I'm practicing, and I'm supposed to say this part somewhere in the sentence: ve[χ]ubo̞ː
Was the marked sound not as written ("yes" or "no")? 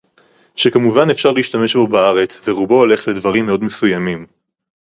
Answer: yes